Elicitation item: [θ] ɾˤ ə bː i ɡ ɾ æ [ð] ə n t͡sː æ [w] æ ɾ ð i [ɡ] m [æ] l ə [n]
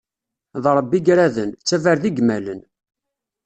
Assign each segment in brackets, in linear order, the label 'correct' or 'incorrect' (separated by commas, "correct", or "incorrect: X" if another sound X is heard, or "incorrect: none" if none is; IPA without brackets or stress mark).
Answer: incorrect: ð, correct, incorrect: v, correct, correct, correct